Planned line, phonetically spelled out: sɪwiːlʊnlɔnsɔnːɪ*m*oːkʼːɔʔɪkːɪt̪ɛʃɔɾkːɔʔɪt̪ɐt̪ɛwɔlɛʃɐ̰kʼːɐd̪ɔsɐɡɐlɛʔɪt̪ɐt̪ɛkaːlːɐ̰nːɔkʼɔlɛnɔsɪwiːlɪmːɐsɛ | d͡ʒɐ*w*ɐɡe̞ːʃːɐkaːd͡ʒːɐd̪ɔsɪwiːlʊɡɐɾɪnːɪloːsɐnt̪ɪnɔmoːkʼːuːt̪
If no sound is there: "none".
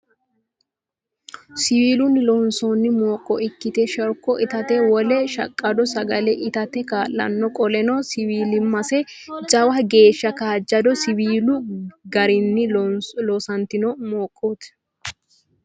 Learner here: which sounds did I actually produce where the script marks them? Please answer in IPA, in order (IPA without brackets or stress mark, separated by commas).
m, w